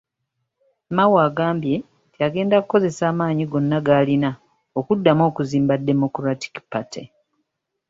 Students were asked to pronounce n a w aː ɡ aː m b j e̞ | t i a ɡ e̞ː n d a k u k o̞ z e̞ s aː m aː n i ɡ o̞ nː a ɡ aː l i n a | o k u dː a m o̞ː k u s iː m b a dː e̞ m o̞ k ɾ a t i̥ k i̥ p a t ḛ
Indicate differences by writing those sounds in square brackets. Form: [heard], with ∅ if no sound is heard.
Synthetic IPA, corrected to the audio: [m] a w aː ɡ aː m b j e̞ | t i a ɡ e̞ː n d a k u k o̞ z e̞ s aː m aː [ɲ] i ɡ o̞ nː a ɡ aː l i n a | o k u dː a m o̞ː k u [z] iː m b a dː e̞ m o̞ k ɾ a t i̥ k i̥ p a t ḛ

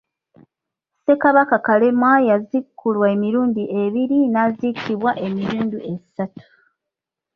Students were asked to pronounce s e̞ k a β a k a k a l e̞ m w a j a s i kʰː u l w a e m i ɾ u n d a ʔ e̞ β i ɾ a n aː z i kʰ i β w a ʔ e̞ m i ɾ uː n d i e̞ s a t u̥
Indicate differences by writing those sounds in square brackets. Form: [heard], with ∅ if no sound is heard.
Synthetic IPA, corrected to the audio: s e̞ k a β a k a k a l e̞ m w a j a [z] i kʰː u l w a e m i ɾ [uː] n d [i] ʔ e̞ β i ɾ [i] n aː z i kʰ i β w a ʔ e̞ m i ɾ uː n d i e̞ s a t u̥

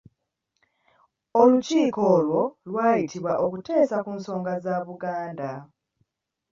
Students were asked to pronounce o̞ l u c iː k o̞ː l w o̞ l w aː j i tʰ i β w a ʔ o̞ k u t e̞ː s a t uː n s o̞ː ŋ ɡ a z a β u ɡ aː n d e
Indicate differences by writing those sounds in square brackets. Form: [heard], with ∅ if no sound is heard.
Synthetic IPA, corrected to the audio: o̞ l u c iː k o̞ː l w o̞ l w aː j i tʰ i β w a ʔ o̞ k u t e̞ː s a [k] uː n s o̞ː ŋ ɡ a z a β u ɡ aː n d [a]

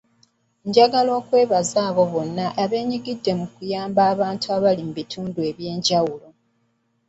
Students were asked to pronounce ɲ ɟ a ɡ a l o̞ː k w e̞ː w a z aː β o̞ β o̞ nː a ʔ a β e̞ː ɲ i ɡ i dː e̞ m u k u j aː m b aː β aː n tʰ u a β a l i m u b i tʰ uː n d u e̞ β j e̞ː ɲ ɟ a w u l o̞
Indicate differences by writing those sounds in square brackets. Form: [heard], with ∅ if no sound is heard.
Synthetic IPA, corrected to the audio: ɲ ɟ a ɡ a l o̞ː k w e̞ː [β] a z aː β o̞ β o̞ nː a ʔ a β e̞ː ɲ i ɡ i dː e̞ m u k u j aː m b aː β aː n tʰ u a β a l i m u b i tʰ uː n d u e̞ β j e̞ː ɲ ɟ a w u l o̞

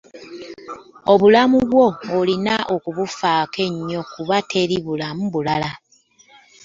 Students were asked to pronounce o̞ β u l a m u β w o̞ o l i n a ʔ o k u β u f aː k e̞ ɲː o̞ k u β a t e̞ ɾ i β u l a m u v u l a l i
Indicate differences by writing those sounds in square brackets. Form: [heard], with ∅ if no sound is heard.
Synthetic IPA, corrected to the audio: o̞ β u l a m u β w o̞ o l i n a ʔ o k u β u f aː k e̞ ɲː o̞ k u β a t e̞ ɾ i β u l a m u [β] u l a l [a]

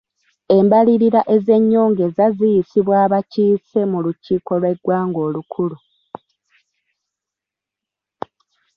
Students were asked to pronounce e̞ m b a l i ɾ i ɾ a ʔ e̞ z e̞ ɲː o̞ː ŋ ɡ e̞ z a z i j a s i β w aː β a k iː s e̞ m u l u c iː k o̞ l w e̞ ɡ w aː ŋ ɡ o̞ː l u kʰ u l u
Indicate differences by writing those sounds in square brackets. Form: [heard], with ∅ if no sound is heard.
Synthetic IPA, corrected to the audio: e̞ m b a l i ɾ i ɾ a ʔ e̞ z e̞ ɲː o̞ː ŋ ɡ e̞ z a z i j [i] s i β w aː β a [c] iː s e̞ m u l u c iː k o̞ l w e̞ ɡ w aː ŋ ɡ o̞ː l u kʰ u l u

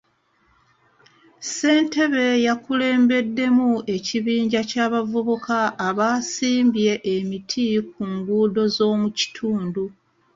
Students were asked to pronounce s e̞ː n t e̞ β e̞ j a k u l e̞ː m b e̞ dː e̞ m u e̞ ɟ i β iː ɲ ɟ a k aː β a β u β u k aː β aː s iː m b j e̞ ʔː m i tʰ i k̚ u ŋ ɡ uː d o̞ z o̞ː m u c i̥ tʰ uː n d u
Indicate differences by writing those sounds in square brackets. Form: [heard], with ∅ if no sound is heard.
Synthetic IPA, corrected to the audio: s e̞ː n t e̞ β e̞ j a k u l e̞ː m b e̞ dː e̞ m u e̞ [c] i β iː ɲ ɟ a [c] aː β a [v] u β u k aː β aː s iː m b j e̞ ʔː m i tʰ i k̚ u ŋ ɡ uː d o̞ z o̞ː m u c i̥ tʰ uː n d u

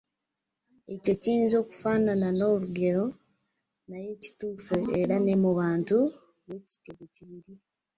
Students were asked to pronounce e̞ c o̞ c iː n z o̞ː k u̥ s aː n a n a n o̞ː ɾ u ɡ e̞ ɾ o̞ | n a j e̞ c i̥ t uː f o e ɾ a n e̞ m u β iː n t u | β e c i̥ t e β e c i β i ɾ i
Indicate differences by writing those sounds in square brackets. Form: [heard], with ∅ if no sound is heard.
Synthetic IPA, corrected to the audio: e̞ c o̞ c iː n z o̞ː k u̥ [f] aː n a n a n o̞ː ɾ u ɡ e̞ ɾ o̞ | n a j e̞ c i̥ t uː f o e ɾ a n e̞ m u β [aː] n t u | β e c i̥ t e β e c i β i ɾ i

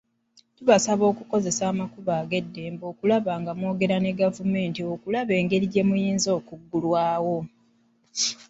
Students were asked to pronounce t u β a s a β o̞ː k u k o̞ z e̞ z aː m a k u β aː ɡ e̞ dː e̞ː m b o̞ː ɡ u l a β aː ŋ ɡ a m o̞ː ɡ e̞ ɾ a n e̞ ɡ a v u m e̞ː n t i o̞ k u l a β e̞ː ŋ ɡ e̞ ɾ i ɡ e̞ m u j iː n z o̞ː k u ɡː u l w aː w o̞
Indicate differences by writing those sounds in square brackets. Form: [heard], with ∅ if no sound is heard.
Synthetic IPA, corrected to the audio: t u β a s a β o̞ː k u k o̞ z e̞ [s] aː m a k u β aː ɡ e̞ dː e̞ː m b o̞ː [k] u l a β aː ŋ ɡ a m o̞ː ɡ e̞ ɾ a n e̞ ɡ a v u m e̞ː n t i o̞ k u l a β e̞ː ŋ ɡ e̞ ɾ i [ɟ] e̞ m u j iː n z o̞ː k u ɡː u l w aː w o̞

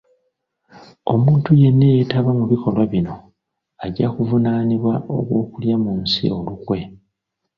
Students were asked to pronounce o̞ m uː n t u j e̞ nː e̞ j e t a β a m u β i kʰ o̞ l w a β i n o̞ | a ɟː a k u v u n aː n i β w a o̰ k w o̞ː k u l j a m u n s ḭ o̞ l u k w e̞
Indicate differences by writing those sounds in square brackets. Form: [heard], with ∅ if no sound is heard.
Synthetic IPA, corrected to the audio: o̞ m uː n t u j e̞ nː e̞ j e t a β a m u β i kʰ o̞ l w a β i n o̞ | a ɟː a k u v u n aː n i β w a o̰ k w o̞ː k u l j a m u n s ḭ o̞ l u k w e̞

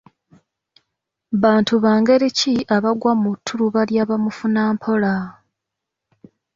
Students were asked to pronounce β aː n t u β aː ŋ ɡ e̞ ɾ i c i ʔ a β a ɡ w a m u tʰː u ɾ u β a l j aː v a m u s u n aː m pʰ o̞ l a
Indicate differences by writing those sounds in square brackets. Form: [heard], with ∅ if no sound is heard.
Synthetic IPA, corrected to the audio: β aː n t u β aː ŋ ɡ e̞ ɾ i c i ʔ a β a ɡ w a m u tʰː u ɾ u β a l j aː [β] a m u [f] u n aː m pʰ o̞ l a

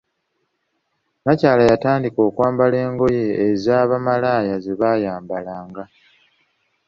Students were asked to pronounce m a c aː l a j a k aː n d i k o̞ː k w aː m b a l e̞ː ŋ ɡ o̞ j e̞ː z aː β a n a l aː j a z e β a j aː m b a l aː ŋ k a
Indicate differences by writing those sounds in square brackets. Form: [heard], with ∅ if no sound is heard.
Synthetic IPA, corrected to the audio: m a c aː l a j a [t] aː n d i k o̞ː k w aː m b a l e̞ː ŋ ɡ o̞ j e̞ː z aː β a [m] a l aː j a z e β a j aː m b a l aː ŋ [ɡ] a

